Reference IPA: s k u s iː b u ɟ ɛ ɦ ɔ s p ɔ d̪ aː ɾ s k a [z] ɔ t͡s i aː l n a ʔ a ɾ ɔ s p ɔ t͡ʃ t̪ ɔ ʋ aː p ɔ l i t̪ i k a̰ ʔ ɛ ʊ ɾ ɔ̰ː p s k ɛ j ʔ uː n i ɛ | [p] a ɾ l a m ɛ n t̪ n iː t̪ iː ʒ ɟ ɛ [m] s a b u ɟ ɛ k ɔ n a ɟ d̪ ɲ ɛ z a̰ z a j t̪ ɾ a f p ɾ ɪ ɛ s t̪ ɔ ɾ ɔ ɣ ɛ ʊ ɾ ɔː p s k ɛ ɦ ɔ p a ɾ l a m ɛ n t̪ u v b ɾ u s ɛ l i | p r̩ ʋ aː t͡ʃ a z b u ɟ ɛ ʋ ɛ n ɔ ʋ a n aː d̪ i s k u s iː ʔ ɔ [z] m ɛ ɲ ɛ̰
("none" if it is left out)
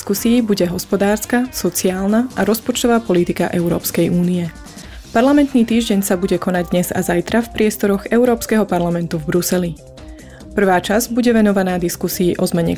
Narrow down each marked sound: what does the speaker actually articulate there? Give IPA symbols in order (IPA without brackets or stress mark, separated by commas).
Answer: s, p, ɲ, z